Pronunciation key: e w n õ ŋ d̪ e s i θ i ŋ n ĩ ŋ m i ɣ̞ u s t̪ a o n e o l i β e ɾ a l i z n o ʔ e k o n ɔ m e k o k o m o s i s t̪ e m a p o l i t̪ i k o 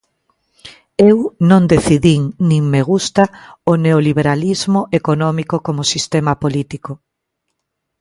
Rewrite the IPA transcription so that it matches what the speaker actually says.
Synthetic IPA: e w n õ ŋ d̪ e θ i ð i ŋ n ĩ ŋ m e ɣ̞ u s t̪ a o n e o l i β e ɾ a l i z m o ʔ e k o n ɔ m i k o k o m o s i s t̪ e m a p o l i t̪ i k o

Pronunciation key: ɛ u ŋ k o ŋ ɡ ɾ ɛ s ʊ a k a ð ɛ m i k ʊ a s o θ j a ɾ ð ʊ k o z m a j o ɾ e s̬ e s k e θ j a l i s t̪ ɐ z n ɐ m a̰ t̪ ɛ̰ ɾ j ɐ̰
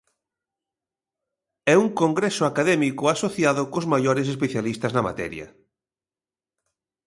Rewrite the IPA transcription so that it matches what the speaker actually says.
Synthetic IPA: ɛ u ŋ k o ŋ ɡ ɾ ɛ s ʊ a k a ð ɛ m i k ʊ a s o θ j a ð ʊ k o z m a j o ɾ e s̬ e s p e θ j a l i s t̪ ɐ z n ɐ m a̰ t̪ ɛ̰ ɾ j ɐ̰

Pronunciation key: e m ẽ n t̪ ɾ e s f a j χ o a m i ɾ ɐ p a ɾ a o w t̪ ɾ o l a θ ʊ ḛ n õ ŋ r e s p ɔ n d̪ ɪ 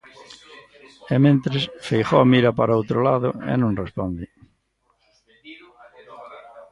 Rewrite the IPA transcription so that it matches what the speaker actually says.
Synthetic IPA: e m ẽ n t̪ ɾ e s f e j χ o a m i ɾ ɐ p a ɾ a o w t̪ ɾ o l a ð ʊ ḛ n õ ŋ r e s p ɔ n d̪ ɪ

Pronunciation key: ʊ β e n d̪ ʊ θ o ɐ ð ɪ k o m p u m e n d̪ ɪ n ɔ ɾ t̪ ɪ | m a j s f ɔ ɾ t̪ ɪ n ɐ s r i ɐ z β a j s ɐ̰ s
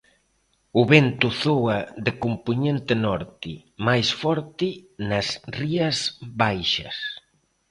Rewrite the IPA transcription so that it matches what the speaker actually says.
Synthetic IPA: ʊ β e n t̪ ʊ θ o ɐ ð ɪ k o m p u ɲ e n t̪ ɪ n ɔ ɾ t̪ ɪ | m a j s f ɔ ɾ t̪ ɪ n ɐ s r i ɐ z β a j ʃ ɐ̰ s

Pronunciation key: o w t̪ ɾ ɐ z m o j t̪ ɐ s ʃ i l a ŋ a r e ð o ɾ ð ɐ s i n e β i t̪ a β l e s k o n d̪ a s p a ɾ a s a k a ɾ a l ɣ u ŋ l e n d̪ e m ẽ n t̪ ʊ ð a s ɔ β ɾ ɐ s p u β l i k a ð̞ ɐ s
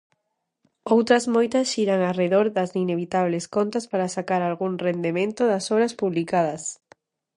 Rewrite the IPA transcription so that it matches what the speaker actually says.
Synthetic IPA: o w t̪ ɾ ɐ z m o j t̪ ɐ s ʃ i ɾ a ŋ a r e ð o ɾ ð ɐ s i n e β i t̪ a β l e s k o n t̪ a s p a ɾ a s a k a ɾ a l ɣ u ŋ r e n d̪ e m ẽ n t̪ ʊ ð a s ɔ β ɾ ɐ s p u β l i k a ð̞ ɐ s

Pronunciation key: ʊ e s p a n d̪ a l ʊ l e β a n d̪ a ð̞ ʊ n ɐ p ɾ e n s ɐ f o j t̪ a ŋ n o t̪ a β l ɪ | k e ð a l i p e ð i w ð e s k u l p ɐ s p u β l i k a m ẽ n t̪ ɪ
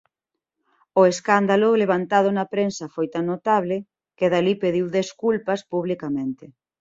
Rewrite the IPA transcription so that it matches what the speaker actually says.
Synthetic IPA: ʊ e s k a n d̪ a l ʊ l e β a n t̪ a ð̞ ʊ n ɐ p ɾ e n s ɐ f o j t̪ a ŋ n o t̪ a β l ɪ | k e ð a l i p e ð i w ð e s k u l p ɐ s p u β l i k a m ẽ n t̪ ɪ

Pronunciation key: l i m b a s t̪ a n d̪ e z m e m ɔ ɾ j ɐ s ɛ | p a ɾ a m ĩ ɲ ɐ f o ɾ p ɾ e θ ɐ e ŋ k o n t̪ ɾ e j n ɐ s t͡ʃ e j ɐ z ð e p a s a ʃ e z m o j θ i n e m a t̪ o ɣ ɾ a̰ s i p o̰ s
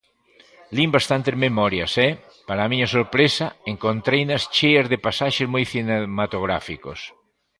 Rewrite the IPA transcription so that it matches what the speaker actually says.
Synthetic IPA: l i m b a s t̪ a n t̪ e z m e m ɔ ɾ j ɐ s ɛ | p a ɾ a m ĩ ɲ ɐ s o ɾ p ɾ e s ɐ e ŋ k o n t̪ ɾ e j n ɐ s t͡ʃ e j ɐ z ð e p a s a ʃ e z m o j θ i n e m a t̪ o ɣ ɾ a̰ f i k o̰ s

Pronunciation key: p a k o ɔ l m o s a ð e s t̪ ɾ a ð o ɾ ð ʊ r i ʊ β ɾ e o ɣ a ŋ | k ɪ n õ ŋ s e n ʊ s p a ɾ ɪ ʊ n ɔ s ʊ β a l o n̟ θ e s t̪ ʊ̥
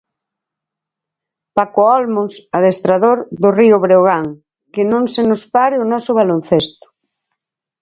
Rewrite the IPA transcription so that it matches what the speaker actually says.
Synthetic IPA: p a k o ɔ l m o s a ð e s t̪ ɾ a ð o ɾ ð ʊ r i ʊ β ɾ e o ɣ a ŋ | k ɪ n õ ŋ s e n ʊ s p a ɾ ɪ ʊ n ɔ s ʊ β a l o n̟ θ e s t̪ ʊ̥

